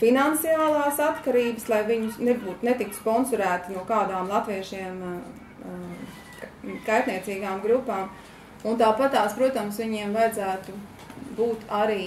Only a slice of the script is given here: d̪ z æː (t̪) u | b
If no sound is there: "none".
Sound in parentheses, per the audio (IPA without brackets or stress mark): t̪